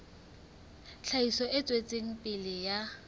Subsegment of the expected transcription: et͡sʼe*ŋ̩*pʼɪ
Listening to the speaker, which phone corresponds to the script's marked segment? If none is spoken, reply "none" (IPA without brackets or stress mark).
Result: ŋ̩